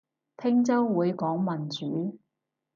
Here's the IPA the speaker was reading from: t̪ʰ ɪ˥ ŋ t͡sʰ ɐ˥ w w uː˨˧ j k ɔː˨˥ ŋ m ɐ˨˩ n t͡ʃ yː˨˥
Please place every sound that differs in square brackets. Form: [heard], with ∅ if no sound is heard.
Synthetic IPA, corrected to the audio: t̪ʰ ɪ˥ ŋ [t͡s] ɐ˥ w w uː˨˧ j k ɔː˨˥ ŋ m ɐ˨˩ n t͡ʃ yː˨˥

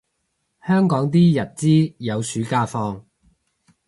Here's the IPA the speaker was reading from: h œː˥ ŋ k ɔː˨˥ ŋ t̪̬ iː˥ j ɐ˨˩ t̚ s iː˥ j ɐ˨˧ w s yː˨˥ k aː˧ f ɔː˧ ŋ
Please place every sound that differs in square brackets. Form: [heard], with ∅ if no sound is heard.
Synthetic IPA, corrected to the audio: h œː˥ ŋ k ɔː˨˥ ŋ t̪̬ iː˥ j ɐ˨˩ t̚ [t͡s] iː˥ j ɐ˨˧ w s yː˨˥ k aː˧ f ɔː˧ ŋ

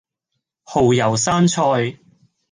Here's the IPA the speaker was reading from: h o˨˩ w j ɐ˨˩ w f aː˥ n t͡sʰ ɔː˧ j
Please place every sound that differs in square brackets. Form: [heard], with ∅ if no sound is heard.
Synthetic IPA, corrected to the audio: h o˨˩ w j ɐ˨˩ w [s] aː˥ n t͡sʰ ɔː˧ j

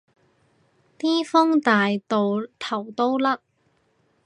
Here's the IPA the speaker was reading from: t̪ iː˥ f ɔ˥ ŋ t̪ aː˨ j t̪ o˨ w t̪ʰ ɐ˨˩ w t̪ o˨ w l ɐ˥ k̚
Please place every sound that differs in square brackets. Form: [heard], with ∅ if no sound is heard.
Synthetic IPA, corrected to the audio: t̪ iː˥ f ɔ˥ ŋ t̪ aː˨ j t̪ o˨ w t̪ʰ ɐ˨˩ w t̪ [o˥] w l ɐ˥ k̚

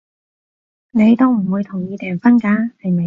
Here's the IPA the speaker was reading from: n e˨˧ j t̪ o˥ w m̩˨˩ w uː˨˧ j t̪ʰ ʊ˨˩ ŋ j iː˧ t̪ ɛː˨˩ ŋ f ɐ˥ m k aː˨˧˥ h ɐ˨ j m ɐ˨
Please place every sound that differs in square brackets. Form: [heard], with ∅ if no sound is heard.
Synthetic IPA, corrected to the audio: n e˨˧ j t̪ o˥ w m̩˨˩ w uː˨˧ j t̪ʰ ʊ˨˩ ŋ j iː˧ t̪ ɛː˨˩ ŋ f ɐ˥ [n] k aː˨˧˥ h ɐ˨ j m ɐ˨

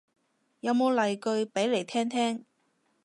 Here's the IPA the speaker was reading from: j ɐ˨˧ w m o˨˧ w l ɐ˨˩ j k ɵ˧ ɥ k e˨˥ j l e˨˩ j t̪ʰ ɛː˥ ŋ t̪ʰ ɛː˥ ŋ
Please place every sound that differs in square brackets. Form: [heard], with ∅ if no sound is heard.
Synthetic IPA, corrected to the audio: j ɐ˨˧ w m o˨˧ w l ɐ˨˩ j k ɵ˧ ɥ [p] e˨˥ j l e˨˩ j t̪ʰ ɛː˥ ŋ t̪ʰ ɛː˥ ŋ

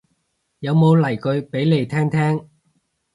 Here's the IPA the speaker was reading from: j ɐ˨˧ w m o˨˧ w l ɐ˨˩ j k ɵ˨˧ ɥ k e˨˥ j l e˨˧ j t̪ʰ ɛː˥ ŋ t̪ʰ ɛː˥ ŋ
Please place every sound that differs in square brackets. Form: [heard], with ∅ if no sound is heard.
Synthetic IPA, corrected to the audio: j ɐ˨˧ w m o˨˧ w l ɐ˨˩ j k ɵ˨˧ ɥ [p] e˨˥ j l e˨˧ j t̪ʰ ɛː˥ ŋ t̪ʰ ɛː˥ ŋ

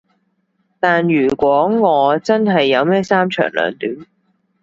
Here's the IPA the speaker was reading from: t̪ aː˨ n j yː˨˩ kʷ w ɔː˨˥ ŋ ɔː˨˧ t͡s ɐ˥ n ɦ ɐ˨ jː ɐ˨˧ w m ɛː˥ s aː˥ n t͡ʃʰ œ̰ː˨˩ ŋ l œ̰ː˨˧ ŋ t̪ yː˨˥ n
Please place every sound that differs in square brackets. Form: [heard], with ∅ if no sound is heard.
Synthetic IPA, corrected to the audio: t̪ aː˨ n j yː˨˩ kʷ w ɔː˨˥ ŋ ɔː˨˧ t͡s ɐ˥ n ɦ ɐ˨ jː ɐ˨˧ w m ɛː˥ s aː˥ [m] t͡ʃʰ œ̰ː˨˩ ŋ l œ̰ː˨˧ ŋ t̪ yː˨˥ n

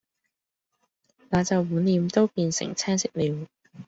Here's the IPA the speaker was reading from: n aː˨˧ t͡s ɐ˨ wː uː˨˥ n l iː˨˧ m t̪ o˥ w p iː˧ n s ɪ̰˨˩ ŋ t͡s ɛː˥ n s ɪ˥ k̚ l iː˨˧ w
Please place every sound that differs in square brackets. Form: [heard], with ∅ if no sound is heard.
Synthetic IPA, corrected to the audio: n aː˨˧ t͡s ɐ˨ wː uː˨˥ n l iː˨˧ m t̪ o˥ w p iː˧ n s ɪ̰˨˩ ŋ [t͡sʰ] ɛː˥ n s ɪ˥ k̚ l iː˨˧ w

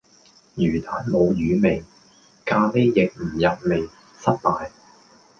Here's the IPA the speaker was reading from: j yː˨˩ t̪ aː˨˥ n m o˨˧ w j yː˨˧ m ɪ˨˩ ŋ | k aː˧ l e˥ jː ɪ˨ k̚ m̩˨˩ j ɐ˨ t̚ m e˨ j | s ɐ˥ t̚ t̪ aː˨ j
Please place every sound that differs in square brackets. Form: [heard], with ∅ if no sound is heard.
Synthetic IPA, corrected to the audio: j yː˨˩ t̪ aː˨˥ n m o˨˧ w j yː˨˧ m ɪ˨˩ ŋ | k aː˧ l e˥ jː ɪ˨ k̚ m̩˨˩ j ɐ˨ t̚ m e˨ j | s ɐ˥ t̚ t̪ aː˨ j

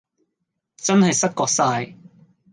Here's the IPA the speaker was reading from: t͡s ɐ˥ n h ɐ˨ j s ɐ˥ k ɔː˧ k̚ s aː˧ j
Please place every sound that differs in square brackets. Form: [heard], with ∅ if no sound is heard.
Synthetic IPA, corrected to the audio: t͡s ɐ˥ n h ɐ˨ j s ɐ˥ k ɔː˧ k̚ s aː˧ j

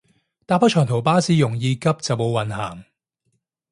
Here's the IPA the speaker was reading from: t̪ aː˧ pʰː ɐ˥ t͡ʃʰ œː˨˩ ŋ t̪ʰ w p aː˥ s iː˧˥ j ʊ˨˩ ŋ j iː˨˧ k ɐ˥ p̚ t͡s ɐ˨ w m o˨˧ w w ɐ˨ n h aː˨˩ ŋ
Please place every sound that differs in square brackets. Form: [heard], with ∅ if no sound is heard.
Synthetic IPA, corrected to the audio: t̪ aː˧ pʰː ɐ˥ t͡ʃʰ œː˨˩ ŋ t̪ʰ w p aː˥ s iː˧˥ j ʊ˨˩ ŋ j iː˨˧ k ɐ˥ p̚ t͡s ɐ˨ w m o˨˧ w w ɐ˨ n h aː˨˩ ŋ

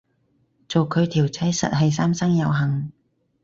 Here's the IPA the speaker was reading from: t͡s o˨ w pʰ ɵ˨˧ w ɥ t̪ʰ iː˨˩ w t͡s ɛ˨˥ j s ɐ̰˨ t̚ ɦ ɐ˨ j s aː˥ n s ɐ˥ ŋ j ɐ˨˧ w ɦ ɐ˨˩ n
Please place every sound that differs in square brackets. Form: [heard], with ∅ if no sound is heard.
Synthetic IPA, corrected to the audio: t͡s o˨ w [kʰ] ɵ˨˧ [∅] ɥ t̪ʰ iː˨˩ w t͡s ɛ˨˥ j s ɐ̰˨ t̚ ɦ ɐ˨ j s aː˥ [m] s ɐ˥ ŋ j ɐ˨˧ w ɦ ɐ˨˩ [ŋ]

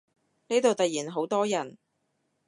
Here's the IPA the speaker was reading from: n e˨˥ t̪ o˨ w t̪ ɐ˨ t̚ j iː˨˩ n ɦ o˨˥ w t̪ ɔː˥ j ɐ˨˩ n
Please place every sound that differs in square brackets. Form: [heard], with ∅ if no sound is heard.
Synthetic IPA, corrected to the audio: n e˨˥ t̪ o˨ w t̪ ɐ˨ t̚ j iː˨˩ n ɦ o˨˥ w t̪ ɔː˥ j ɐ˨˩ n

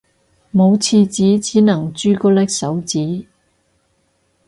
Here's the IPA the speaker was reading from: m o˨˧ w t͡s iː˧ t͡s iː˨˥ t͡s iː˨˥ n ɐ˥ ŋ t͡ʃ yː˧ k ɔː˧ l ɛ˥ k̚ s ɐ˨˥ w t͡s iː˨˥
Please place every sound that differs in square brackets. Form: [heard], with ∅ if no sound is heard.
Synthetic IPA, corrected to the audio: m o˨˧ w [t͡sʰ] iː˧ t͡s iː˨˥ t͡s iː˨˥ n [ɐ˨˩] ŋ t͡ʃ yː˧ k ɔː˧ l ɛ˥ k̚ s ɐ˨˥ w t͡s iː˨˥

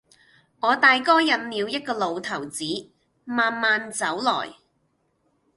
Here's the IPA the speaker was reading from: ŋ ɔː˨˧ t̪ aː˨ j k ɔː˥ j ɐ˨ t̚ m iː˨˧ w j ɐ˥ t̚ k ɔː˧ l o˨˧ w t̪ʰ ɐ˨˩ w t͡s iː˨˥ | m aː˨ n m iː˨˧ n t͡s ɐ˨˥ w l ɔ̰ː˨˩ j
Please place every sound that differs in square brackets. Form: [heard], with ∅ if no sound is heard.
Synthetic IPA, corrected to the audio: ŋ ɔː˨˧ t̪ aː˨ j k ɔː˥ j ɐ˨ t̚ m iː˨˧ w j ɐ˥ t̚ k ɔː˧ l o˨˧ w t̪ʰ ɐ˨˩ w t͡s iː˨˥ | m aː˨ n m [aː˨˧] n t͡s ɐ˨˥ w l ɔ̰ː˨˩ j

